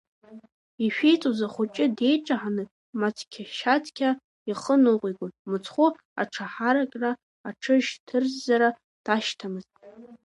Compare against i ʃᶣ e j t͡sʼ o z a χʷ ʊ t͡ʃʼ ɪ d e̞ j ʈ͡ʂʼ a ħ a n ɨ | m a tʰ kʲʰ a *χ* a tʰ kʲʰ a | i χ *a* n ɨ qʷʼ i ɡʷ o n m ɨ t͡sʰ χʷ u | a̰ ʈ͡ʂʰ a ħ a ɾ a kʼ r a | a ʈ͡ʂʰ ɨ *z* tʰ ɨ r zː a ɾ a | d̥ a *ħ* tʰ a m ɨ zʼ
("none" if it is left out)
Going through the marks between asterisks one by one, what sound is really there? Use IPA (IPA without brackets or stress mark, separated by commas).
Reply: ʃ, ə, ʒ, ʃ